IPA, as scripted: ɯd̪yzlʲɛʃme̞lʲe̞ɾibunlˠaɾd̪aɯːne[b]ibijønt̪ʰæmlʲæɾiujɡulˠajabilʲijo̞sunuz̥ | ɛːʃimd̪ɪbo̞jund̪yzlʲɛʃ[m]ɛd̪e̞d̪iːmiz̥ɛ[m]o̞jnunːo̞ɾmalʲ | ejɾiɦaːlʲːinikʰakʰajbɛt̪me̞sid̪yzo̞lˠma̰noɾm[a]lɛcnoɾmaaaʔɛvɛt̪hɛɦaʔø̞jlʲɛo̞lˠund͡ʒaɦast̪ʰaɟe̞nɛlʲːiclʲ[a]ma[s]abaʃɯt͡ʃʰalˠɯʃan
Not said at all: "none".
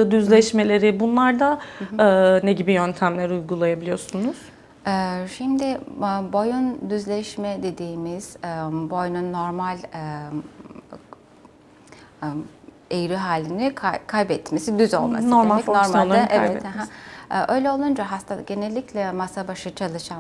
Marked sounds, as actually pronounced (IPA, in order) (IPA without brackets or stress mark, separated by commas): ɟ, m, b, a, ɛ, s